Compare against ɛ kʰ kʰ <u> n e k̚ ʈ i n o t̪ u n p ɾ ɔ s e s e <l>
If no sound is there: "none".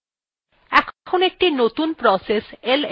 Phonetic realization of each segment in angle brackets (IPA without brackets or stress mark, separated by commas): o, l